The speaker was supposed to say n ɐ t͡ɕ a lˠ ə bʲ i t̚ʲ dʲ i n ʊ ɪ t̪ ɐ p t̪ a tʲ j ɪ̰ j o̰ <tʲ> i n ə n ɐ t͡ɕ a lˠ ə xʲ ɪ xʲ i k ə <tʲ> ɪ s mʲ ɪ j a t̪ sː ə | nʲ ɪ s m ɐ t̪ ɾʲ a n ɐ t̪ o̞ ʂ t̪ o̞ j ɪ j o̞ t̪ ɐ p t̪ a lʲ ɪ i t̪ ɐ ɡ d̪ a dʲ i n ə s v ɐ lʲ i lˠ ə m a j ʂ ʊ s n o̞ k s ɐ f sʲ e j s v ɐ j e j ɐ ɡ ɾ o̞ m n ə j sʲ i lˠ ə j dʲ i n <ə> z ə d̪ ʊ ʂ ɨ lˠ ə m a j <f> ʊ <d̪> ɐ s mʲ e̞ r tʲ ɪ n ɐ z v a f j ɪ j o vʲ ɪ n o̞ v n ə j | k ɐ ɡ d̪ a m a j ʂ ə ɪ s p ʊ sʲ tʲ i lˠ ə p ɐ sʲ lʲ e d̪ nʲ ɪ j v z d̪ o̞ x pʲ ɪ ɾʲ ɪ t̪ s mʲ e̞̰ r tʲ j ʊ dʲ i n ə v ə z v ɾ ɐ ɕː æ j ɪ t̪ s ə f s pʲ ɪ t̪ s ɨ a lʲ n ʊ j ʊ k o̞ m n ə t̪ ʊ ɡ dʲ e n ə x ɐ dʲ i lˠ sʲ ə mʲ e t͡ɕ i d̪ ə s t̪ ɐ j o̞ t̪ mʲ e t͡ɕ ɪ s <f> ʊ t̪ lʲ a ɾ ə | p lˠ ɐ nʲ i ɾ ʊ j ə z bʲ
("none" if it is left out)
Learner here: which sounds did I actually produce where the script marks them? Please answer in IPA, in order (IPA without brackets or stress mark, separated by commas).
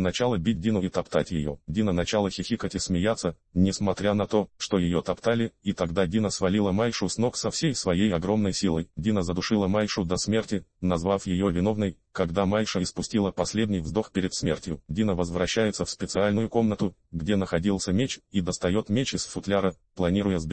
dʲ, tʲ, ə, ʂ, d̪, f